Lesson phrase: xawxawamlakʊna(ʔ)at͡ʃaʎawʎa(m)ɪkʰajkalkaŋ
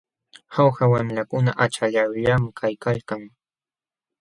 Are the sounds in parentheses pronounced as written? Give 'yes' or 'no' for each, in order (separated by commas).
yes, yes